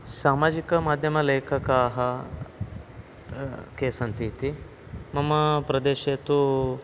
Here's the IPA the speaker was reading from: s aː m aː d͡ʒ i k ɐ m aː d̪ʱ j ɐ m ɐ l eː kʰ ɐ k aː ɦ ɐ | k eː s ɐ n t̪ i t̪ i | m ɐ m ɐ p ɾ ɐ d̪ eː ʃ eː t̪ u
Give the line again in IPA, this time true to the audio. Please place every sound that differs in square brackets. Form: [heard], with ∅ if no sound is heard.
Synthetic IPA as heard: s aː m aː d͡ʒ i k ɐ m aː d̪ʱ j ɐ m ɐ l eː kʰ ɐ k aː ɦ ɐ | k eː s ɐ n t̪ i t̪ i | m ɐ m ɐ p ɾ ɐ d̪ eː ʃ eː t̪ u

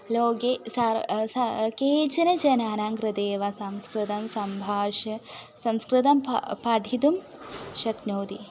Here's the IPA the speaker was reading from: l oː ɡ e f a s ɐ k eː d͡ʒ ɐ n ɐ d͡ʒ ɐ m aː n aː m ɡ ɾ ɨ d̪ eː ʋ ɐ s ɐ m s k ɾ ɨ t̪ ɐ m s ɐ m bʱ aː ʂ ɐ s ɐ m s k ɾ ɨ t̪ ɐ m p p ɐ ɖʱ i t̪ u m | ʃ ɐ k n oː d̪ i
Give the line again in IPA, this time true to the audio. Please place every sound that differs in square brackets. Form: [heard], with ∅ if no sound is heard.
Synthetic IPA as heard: l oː ɡ e [s] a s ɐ k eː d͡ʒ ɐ n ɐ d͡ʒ ɐ [n] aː n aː [ŋ] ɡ ɾ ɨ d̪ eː ʋ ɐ s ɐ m s k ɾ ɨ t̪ ɐ m s ɐ m bʱ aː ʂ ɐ s ɐ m s k ɾ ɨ t̪ ɐ m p p ɐ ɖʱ i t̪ u m | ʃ ɐ k n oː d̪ i

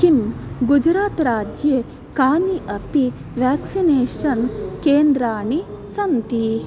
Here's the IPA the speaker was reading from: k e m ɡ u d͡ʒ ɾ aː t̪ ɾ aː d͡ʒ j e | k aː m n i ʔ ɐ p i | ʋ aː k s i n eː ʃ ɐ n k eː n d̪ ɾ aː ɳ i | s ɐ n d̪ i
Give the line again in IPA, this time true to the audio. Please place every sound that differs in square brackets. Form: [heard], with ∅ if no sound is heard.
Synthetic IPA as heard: k [i] m ɡ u d͡ʒ ɾ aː t̪ ɾ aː d͡ʒ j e | k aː [∅] n i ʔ ɐ p i | ʋ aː k s i n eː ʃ ɐ n k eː n d̪ ɾ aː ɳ i | s ɐ n [t̪] i

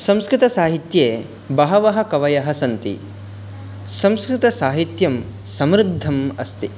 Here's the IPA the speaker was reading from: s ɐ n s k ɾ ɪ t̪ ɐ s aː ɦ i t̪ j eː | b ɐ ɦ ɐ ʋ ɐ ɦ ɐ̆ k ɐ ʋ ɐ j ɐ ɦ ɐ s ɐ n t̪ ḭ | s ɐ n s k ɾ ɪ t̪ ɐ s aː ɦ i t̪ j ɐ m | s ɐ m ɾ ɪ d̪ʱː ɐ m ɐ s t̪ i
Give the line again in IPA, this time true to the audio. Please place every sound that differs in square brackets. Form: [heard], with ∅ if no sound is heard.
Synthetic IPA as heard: s ɐ [m] s k ɾ ɪ t̪ ɐ s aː ɦ i t̪ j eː | b ɐ ɦ ɐ ʋ ɐ ɦ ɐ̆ k ɐ ʋ ɐ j ɐ ɦ ɐ s ɐ n t̪ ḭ | s ɐ [m] s k ɾ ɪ t̪ ɐ s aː ɦ i t̪ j ɐ m | s ɐ m ɾ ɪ d̪ʱː ɐ m ɐ s t̪ i

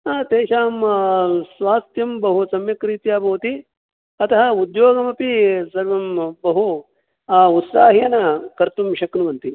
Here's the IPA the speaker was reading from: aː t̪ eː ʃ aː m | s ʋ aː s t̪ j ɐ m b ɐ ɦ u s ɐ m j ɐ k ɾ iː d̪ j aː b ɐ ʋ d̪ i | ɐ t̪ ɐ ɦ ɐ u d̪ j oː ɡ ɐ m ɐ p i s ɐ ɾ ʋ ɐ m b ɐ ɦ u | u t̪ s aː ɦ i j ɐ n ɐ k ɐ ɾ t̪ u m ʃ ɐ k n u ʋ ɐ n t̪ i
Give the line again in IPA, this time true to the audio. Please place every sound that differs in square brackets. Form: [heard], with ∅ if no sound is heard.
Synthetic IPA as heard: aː t̪ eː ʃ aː m | s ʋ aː s t̪ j ɐ m b ɐ ɦ u s ɐ m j ɐ k ɾ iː [t̪] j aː b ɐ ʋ [t̪] i | ɐ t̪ ɐ ɦ ɐ u d̪ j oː ɡ ɐ m ɐ p i s ɐ ɾ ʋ ɐ m b ɐ ɦ u | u t̪ s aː ɦ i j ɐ n ɐ k ɐ ɾ t̪ u m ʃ ɐ k n u ʋ ɐ n t̪ i

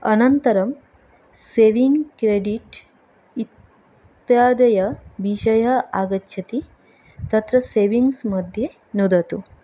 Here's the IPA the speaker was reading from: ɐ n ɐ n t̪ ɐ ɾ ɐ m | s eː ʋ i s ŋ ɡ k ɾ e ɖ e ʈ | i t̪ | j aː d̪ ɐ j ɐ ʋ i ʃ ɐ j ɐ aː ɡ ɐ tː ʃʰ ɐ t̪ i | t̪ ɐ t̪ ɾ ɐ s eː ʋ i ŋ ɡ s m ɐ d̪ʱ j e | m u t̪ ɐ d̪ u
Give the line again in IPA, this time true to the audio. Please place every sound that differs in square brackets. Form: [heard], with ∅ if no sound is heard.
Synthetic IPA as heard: ɐ n ɐ n t̪ ɐ ɾ ɐ m | s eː ʋ i [∅] ŋ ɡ k ɾ e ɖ [i] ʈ | i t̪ | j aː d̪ ɐ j ɐ ʋ i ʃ ɐ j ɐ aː ɡ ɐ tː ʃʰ ɐ t̪ i | t̪ ɐ t̪ ɾ ɐ s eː ʋ i ŋ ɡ s m ɐ d̪ʱ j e | [n] u [d̪] ɐ [t̪] u

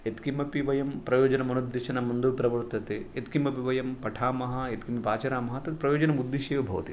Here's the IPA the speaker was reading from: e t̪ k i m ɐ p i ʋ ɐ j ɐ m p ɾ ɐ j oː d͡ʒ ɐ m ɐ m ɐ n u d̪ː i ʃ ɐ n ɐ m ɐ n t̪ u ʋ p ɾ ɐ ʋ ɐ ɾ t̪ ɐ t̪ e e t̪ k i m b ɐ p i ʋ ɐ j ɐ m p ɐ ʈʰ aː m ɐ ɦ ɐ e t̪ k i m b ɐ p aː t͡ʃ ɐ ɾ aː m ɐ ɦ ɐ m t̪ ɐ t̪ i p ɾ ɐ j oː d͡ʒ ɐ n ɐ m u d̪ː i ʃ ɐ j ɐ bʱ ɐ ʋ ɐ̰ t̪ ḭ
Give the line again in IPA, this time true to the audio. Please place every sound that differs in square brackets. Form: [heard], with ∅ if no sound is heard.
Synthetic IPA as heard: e t̪ k i m ɐ p i ʋ ɐ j ɐ m p ɾ ɐ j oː d͡ʒ ɐ [n] ɐ m ɐ n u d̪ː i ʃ ɐ n ɐ m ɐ n [d̪] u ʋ p ɾ ɐ ʋ ɐ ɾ t̪ ɐ t̪ e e t̪ k i m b ɐ p i ʋ ɐ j ɐ m p ɐ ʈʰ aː m ɐ ɦ ɐ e t̪ k i m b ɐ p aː t͡ʃ ɐ ɾ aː m ɐ ɦ ɐ [∅] t̪ ɐ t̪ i p ɾ ɐ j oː d͡ʒ ɐ n ɐ m u d̪ː i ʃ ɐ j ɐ bʱ ɐ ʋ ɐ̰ t̪ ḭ

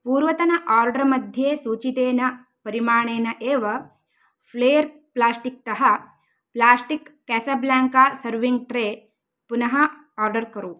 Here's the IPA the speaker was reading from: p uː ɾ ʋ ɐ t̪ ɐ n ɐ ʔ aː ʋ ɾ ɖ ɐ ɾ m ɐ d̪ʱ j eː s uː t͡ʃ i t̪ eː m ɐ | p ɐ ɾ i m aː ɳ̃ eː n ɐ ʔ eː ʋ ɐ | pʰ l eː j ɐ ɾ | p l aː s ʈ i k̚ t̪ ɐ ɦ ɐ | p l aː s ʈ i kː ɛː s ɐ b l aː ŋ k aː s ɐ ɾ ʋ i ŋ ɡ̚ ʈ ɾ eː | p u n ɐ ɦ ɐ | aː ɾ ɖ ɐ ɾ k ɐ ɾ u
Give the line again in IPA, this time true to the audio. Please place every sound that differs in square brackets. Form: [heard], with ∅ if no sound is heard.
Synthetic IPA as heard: p uː ɾ ʋ ɐ t̪ ɐ n ɐ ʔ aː [∅] ɾ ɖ ɐ ɾ m ɐ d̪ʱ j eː s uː t͡ʃ i t̪ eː [n] ɐ | p ɐ ɾ i m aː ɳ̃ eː n ɐ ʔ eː ʋ ɐ | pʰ l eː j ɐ ɾ | p l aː s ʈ i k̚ t̪ ɐ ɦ ɐ | p l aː s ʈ i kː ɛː s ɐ b l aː ŋ k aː s ɐ ɾ ʋ i ŋ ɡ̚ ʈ ɾ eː | p u n ɐ ɦ ɐ | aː ɾ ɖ ɐ ɾ k ɐ ɾ u

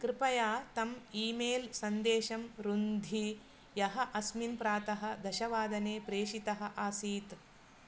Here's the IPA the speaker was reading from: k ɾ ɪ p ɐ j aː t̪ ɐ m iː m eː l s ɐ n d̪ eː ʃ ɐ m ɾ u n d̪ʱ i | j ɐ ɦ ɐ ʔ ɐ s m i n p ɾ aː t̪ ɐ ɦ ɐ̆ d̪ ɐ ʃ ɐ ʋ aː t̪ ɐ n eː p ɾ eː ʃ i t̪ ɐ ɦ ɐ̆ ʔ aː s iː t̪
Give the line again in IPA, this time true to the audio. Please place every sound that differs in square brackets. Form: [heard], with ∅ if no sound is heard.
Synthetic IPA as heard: k ɾ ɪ p ɐ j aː t̪ ɐ m iː m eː l s ɐ n d̪ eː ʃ ɐ m ɾ u n d̪ʱ i | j ɐ ɦ ɐ ʔ ɐ s m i n p ɾ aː t̪ ɐ ɦ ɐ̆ d̪ ɐ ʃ ɐ ʋ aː [d̪] ɐ n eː p ɾ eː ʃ i t̪ ɐ ɦ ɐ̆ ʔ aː s iː t̪

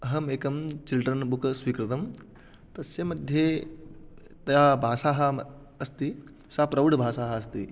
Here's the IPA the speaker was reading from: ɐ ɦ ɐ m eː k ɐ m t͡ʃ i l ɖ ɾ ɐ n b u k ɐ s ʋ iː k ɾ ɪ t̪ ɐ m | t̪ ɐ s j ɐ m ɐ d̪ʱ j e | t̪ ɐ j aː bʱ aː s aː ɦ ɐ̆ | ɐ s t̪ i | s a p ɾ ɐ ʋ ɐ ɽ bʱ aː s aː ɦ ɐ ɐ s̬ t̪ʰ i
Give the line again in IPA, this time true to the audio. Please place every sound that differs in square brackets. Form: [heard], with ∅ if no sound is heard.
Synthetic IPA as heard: ɐ ɦ ɐ m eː k ɐ m t͡ʃ i l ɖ ɾ ɐ n b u k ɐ s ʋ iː k ɾ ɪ t̪ ɐ m | t̪ ɐ s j ɐ m ɐ d̪ʱ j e | t̪ ɐ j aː bʱ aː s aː ɦ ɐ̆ | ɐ s t̪ i | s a p ɾ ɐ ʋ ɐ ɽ bʱ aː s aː ɦ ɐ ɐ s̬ [t̪] i

